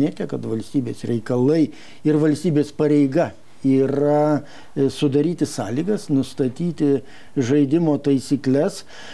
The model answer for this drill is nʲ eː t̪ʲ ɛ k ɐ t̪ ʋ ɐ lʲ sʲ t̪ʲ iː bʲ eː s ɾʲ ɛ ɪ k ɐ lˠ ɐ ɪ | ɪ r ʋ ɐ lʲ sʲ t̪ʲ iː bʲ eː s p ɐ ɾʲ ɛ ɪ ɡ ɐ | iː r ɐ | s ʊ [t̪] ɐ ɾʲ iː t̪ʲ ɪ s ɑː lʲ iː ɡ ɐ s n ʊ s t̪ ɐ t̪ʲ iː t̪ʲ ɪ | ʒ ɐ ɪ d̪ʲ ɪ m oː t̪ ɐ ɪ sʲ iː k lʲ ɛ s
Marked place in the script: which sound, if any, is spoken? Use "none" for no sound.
d̪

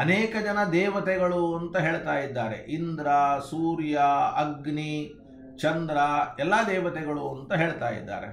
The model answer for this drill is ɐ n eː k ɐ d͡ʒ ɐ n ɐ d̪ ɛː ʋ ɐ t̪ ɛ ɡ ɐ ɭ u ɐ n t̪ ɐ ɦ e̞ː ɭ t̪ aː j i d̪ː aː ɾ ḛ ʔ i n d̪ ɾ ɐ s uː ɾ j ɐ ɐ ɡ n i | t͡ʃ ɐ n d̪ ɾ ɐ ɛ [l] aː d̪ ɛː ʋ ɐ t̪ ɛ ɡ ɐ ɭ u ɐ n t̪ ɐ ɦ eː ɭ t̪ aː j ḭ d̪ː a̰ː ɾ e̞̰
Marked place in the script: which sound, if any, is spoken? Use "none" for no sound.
lː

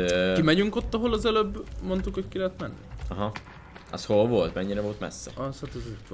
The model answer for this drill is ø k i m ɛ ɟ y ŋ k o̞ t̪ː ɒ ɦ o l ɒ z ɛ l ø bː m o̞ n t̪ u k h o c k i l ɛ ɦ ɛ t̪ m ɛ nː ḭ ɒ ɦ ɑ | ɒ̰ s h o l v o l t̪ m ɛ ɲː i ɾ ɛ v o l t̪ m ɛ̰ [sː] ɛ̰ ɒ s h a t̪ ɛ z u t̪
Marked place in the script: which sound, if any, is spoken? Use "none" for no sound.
sː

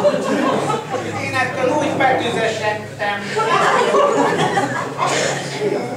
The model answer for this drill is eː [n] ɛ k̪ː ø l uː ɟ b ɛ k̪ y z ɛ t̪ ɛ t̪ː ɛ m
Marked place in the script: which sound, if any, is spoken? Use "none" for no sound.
n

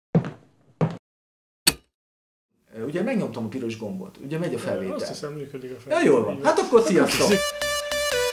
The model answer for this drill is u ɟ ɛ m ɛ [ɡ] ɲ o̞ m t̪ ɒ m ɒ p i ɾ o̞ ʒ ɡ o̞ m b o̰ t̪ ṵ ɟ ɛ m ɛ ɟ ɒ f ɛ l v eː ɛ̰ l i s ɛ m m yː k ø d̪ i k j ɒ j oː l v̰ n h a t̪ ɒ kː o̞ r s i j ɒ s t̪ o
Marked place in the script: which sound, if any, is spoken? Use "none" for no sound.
ɡ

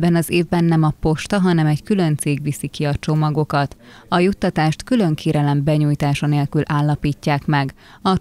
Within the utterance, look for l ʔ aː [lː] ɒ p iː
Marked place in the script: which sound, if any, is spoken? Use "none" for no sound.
lː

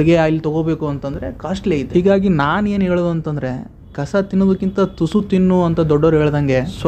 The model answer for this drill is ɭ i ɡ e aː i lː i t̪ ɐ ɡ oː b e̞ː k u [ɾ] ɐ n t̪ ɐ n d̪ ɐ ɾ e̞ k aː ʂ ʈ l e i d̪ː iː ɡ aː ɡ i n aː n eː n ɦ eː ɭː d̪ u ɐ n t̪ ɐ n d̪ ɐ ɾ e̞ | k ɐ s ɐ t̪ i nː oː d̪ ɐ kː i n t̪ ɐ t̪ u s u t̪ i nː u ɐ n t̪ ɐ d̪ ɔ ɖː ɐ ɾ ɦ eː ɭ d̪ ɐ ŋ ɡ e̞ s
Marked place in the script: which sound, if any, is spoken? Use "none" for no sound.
none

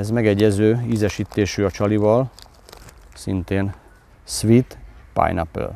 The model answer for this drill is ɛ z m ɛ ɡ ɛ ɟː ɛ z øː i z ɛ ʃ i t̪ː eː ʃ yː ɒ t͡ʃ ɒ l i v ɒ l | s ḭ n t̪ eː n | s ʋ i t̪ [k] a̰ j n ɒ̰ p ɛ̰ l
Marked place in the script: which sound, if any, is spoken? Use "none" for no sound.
p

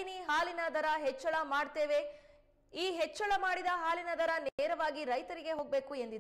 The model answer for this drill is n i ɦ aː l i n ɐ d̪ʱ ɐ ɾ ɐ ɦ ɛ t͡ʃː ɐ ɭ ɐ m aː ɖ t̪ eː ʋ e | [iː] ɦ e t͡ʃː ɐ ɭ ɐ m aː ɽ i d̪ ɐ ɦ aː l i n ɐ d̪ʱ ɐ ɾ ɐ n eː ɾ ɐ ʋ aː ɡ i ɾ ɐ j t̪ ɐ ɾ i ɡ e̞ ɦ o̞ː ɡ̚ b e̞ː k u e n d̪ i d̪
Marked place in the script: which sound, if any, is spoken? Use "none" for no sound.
iː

